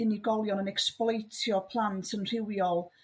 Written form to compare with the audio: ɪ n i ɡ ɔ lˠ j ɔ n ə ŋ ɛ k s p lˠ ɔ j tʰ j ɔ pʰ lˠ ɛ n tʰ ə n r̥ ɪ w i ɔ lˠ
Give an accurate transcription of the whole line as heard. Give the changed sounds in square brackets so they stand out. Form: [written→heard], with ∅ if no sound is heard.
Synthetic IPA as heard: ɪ n i ɡ ɔ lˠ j ɔ n ə [ŋ→n] ɛ k s p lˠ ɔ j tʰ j ɔ pʰ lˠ [ɛ→a] n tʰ ə n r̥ ɪ w [i→j] ɔ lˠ

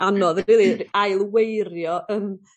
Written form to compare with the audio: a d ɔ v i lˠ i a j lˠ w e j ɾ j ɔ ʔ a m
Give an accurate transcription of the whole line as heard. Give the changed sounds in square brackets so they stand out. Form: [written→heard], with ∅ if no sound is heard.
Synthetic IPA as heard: a [d→n] ɔ [v→ð] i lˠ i a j lˠ w e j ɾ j ɔ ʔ [a→ə] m

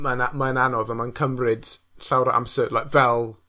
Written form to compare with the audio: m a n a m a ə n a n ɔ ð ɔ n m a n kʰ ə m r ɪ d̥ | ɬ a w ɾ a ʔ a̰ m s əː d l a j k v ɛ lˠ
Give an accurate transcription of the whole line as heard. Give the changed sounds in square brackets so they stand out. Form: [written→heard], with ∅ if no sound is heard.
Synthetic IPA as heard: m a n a m a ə n a n ɔ ð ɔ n m a n kʰ ə m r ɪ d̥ | ɬ a w ɾ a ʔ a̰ m s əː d l a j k v ɛ lˠ

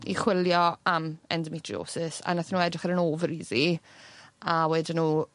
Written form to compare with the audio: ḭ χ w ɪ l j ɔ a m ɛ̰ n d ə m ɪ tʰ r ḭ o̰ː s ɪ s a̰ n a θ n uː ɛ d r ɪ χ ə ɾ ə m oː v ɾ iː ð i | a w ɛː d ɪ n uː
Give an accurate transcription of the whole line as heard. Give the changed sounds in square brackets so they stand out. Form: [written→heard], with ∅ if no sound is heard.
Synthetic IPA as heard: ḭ χ w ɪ l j ɔ a m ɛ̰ n d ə m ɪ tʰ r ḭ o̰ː s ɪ s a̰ n a θ n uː ɛ d r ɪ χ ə ɾ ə [m→n] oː v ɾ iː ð i | a w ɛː d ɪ n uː

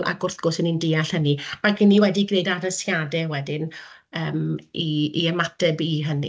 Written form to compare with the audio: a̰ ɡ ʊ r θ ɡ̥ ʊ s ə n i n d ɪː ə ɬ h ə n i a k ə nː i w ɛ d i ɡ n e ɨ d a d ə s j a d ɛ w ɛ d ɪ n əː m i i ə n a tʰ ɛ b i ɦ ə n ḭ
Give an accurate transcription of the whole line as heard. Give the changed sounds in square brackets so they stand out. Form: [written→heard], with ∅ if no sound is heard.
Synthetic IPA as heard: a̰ ɡ ʊ r θ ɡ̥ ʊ s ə n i n d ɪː [ə→a] ɬ h ə n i a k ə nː i w ɛ d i ɡ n e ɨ d a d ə s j a d ɛ w ɛ d ɪ n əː m i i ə [n→m] a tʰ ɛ b i ɦ ə n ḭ

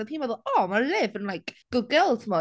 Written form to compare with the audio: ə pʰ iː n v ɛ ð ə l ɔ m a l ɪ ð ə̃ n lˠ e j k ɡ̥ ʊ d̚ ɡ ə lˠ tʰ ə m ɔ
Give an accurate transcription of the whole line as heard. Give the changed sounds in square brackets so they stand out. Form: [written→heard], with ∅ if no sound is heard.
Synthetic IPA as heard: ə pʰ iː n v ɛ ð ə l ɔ m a l ɪ [ð→v] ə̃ n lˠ [e→a] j k ɡ̥ ʊ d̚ ɡ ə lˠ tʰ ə m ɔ

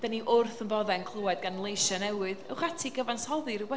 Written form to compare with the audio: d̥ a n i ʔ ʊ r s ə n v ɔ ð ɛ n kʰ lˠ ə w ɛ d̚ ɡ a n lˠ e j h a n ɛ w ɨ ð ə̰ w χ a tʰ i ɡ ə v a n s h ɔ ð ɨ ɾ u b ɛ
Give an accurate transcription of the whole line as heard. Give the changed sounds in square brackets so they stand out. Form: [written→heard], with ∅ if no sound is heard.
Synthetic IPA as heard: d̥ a n i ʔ ʊ r [s→θ] ə n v ɔ ð ɛ n kʰ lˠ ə w ɛ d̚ ɡ a n lˠ e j [h→ʃ] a n ɛ w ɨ ð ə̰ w χ a tʰ i ɡ ə v a n s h ɔ ð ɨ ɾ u b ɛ

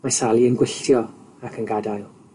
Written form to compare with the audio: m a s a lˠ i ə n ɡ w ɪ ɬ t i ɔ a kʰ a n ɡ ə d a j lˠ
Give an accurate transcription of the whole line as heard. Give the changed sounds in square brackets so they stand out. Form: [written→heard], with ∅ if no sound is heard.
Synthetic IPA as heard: m a s a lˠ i ə n ɡ w ɪ ɬ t [i→j] ɔ a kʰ [a→ə] n ɡ [ə→a] d a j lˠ

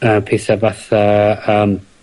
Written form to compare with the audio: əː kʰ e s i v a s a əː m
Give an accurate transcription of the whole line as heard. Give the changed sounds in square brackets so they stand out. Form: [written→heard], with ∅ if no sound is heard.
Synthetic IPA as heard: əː [kʰ→pʰ] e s [i→a] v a [s→θ] a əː m

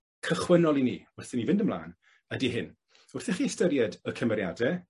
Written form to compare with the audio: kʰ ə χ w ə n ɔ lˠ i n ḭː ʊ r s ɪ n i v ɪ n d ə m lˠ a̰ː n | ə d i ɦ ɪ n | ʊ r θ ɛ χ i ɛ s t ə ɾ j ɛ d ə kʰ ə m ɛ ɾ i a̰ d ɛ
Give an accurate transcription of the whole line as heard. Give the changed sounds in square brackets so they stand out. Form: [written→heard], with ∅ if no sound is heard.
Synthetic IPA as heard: kʰ ə χ w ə n ɔ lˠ i n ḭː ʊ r [s→θ] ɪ n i v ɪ n d ə m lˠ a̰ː n | ə d i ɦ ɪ n | ʊ r θ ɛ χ i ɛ s t ə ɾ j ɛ d ə kʰ ə m ɛ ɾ [i→j] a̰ d ɛ

